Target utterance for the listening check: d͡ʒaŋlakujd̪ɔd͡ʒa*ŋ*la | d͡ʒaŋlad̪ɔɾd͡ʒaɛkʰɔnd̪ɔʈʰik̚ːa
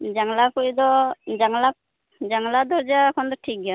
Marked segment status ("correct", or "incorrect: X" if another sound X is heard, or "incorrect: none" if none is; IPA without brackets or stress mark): correct